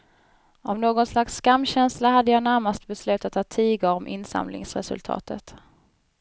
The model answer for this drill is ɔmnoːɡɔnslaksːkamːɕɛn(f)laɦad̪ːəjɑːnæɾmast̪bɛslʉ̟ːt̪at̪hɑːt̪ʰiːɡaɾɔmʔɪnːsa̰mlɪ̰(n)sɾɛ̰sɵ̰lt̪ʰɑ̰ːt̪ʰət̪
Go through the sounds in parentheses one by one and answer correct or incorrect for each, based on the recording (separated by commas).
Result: incorrect, incorrect